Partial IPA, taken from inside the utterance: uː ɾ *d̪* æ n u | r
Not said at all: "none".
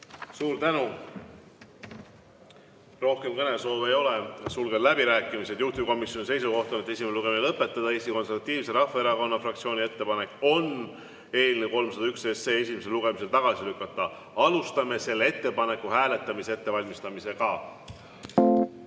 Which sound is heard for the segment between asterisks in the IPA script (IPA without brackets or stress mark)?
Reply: t̪